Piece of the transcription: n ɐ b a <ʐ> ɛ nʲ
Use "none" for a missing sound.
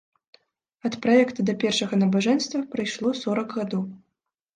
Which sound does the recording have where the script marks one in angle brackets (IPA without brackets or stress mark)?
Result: ʐ